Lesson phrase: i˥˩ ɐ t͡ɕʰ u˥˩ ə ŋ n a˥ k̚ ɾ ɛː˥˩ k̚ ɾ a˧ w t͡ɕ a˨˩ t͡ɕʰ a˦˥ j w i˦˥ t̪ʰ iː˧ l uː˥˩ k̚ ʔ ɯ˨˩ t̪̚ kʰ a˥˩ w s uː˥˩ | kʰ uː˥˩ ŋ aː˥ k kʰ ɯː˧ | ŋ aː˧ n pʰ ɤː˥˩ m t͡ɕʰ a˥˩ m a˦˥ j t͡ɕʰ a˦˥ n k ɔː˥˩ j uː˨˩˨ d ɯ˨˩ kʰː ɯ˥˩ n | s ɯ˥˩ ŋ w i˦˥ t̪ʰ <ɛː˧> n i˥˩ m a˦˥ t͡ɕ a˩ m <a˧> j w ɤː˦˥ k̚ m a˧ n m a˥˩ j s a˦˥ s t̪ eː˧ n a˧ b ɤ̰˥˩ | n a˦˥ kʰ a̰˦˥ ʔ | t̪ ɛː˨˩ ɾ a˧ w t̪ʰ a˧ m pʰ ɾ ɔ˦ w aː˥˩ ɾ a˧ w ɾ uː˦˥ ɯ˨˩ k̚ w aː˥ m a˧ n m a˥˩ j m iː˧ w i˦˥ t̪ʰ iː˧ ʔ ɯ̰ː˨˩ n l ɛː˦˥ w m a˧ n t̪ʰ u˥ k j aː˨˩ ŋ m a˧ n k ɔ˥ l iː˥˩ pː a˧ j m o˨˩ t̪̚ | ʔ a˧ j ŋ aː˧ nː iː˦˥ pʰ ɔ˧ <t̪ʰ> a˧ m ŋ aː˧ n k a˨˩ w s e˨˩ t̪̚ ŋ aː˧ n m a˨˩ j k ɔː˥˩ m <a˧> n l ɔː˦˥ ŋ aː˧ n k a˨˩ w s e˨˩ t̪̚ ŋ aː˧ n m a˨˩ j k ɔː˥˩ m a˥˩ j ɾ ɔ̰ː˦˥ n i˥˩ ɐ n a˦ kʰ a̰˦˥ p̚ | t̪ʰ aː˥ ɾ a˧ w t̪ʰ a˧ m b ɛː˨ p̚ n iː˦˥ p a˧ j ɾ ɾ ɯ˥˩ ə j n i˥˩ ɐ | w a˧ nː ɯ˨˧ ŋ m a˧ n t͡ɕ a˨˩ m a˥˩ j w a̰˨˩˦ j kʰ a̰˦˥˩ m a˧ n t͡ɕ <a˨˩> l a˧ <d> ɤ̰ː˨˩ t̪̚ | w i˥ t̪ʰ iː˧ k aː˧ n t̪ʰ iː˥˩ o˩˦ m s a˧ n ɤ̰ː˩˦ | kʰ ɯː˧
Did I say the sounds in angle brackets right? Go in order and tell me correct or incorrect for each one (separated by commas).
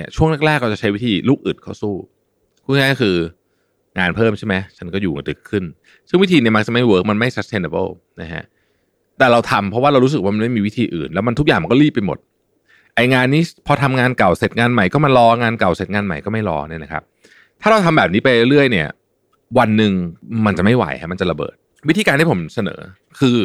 incorrect, incorrect, correct, correct, correct, incorrect